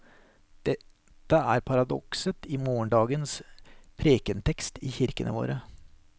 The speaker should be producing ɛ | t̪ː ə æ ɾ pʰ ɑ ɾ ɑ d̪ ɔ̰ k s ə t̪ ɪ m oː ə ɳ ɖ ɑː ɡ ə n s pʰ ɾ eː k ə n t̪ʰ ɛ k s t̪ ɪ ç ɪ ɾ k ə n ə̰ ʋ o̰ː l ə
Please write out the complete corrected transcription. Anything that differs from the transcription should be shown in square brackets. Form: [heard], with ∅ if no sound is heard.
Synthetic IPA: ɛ | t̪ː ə æ ɾ pʰ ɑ ɾ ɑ d̪ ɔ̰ k s ə t̪ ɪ m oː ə ɳ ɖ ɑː ɡ ə n s pʰ ɾ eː k ə n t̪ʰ ɛ k s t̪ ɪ ç ɪ ɾ k ə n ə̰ ʋ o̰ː [ɾ] ə